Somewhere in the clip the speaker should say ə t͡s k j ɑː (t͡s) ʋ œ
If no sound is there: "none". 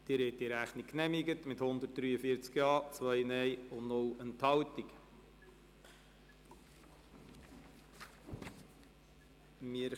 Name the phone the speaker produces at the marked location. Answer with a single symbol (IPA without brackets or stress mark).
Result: t͡s